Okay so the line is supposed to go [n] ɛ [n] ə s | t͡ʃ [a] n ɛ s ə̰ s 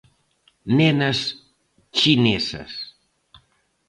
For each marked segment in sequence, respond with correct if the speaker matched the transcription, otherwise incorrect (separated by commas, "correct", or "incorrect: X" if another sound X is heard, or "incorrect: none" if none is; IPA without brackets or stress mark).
correct, correct, incorrect: i